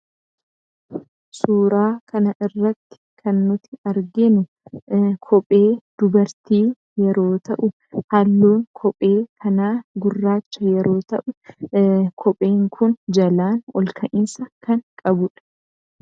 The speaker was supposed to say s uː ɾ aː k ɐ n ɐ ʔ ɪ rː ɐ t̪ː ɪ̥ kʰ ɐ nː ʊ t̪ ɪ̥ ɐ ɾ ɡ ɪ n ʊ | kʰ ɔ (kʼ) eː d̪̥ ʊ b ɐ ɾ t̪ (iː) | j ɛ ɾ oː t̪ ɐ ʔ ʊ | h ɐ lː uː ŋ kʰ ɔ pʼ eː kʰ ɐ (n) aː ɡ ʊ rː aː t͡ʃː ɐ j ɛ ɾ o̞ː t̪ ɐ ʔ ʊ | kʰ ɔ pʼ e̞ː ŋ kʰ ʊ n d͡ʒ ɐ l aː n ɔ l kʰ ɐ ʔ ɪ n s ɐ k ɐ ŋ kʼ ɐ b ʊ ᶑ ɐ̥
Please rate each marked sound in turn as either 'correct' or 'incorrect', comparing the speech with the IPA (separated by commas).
incorrect, correct, correct